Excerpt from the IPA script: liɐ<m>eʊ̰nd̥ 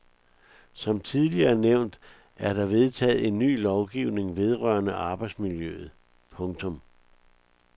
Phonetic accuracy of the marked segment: incorrect: n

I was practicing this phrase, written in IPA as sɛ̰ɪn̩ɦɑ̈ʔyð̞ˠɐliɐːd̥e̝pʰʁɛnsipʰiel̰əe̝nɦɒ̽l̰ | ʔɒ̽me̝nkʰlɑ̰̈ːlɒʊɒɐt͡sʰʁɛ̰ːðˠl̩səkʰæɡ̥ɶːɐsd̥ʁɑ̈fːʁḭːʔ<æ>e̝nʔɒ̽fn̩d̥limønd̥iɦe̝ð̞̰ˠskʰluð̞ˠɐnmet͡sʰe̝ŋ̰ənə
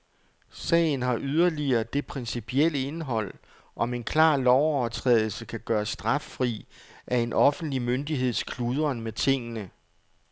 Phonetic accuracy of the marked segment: correct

